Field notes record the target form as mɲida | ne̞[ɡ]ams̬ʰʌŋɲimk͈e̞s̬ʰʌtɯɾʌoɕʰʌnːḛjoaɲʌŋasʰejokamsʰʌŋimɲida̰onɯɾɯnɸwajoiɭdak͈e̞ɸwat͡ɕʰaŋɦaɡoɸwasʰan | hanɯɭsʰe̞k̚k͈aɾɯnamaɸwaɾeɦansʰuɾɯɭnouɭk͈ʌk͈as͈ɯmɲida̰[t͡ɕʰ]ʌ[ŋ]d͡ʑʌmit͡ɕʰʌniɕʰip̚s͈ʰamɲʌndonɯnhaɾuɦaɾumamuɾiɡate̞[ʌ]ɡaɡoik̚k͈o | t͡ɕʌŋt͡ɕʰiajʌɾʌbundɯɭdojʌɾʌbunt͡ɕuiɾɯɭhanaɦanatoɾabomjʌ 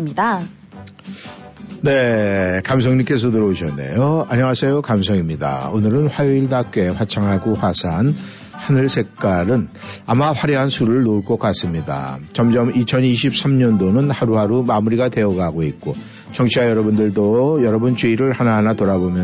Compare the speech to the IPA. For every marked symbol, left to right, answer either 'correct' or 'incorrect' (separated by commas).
incorrect, incorrect, incorrect, correct